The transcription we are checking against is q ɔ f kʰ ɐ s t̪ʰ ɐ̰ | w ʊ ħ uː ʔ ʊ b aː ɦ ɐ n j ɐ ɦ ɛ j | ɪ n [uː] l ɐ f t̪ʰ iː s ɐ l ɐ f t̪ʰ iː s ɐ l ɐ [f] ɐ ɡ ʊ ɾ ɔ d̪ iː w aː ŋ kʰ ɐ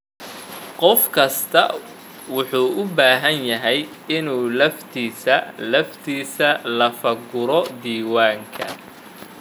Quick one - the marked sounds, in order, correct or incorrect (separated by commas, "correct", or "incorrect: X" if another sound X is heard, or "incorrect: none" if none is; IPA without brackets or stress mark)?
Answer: correct, correct